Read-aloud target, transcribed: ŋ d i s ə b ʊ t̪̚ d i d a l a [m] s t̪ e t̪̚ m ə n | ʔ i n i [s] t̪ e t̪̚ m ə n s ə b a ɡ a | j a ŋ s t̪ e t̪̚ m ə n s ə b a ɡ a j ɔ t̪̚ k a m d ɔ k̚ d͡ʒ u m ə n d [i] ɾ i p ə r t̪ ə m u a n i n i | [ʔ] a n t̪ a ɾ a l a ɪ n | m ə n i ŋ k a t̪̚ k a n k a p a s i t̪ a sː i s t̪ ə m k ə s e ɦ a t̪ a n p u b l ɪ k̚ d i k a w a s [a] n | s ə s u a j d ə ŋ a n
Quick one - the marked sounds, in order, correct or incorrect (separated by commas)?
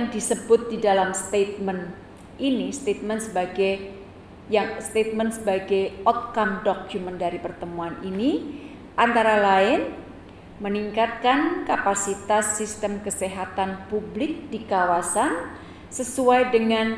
correct, correct, incorrect, correct, correct